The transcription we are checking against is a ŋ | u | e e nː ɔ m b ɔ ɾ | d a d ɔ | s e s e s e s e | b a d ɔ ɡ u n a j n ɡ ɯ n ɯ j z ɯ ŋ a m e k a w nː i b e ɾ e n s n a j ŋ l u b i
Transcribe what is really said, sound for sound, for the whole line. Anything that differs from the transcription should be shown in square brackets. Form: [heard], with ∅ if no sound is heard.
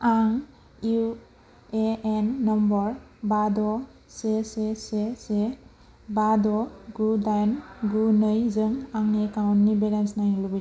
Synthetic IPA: a ŋ | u | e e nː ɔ m b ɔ ɾ | [b] a d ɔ | s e s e s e s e | b a d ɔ ɡ u [d] a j n ɡ [u] n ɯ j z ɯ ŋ a [ŋ] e k a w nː i b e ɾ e n s n a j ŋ l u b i